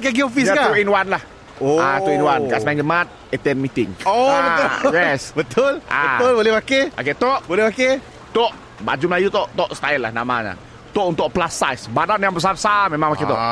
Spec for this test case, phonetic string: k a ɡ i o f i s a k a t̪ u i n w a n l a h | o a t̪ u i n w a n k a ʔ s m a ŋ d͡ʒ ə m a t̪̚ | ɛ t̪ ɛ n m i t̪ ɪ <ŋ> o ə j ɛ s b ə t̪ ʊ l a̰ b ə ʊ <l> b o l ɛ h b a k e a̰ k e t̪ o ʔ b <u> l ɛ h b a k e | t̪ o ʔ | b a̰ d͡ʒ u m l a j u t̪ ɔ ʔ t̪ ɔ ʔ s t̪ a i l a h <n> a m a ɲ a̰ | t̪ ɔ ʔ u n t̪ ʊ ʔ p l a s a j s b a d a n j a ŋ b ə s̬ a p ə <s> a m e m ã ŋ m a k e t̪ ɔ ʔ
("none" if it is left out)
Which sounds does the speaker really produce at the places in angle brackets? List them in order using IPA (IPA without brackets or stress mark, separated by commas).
ŋ, l, o, n, s